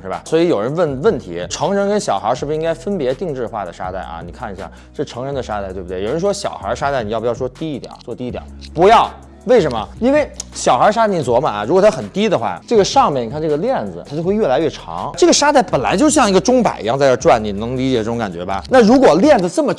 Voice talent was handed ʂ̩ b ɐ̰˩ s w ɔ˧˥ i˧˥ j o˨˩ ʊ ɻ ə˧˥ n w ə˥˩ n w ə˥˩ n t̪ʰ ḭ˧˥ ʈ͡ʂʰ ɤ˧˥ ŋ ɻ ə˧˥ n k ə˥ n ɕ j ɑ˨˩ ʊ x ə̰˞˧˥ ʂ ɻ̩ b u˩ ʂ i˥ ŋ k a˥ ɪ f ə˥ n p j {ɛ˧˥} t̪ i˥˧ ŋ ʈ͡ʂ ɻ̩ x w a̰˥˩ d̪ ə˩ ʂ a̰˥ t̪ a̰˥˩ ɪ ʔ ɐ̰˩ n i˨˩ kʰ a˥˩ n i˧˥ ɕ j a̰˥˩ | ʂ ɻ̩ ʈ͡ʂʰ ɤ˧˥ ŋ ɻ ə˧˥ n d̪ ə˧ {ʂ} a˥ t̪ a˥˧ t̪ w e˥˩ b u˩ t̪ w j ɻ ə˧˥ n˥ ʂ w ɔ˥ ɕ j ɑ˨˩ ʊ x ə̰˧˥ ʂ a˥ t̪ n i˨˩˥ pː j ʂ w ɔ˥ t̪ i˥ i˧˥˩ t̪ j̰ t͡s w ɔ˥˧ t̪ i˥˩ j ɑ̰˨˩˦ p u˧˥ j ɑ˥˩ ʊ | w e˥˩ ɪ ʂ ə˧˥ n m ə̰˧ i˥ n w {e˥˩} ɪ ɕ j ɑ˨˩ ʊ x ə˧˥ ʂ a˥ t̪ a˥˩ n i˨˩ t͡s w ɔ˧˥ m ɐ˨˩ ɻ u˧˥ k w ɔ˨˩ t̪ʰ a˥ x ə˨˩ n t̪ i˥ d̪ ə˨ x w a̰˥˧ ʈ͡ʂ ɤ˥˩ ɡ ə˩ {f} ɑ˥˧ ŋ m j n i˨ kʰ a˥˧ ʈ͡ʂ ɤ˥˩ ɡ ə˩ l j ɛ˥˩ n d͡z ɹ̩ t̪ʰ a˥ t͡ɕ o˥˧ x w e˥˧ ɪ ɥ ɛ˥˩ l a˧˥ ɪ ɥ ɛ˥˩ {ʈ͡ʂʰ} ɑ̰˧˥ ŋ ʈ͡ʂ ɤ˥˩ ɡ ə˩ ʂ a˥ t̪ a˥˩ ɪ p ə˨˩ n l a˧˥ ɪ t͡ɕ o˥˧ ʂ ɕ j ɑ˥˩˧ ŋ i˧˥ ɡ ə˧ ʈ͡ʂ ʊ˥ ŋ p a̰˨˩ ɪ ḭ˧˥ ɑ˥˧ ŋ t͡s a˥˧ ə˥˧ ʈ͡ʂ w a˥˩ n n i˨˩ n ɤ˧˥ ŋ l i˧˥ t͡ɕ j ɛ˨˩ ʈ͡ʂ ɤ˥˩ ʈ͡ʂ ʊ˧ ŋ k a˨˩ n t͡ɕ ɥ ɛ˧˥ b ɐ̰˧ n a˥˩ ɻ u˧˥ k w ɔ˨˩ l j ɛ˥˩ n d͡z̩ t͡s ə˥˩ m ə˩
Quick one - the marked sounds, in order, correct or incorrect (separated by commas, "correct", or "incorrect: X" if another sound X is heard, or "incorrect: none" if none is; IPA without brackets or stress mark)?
correct, correct, correct, incorrect: ʂ, correct